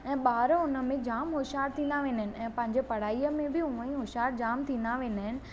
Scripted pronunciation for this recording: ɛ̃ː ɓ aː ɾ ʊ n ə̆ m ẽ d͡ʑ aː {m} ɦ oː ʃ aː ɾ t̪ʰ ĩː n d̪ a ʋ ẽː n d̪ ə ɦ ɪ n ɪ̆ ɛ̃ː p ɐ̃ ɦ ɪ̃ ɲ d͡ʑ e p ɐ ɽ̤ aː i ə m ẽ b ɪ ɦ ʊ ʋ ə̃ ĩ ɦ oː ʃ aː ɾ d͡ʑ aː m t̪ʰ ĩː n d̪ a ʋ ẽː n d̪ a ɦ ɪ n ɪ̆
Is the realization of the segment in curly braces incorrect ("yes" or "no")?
no